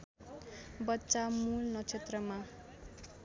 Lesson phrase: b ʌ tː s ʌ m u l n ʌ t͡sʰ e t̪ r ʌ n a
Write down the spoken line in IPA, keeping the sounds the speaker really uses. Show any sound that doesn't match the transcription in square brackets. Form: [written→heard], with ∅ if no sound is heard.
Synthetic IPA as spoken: b ʌ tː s [ʌ→a] m u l n ʌ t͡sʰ e t̪ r ʌ [n→m] a